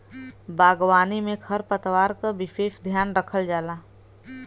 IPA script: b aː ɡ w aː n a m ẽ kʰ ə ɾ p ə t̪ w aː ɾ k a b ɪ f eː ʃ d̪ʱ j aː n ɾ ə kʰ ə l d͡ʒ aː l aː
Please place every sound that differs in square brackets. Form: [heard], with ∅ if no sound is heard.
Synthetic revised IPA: b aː ɡ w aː n [i] m ẽ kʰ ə ɾ p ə t̪ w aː ɾ k a b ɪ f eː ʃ d̪ʱ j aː n ɾ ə kʰ ə l d͡ʒ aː l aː